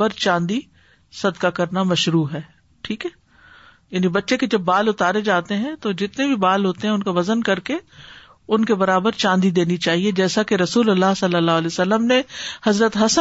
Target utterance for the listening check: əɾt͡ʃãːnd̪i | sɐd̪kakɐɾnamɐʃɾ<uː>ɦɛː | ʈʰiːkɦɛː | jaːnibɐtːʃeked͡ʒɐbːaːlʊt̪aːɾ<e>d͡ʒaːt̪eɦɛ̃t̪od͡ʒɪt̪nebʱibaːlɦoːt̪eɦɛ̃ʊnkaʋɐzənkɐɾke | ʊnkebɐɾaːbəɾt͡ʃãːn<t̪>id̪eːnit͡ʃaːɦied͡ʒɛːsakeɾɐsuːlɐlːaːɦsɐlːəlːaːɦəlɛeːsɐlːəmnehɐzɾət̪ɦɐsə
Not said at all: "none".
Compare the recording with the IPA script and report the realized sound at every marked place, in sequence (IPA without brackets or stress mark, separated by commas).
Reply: uː, e, d̪